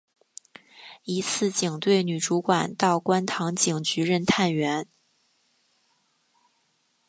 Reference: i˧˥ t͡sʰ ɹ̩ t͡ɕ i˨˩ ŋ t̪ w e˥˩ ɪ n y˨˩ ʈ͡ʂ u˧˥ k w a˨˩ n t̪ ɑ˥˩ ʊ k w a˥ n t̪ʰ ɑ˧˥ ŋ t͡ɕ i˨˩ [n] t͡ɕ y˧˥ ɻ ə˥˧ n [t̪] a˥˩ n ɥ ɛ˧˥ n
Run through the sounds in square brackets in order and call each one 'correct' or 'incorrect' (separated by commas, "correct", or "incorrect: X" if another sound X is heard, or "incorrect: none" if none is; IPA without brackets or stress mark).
incorrect: ŋ, incorrect: t̪ʰ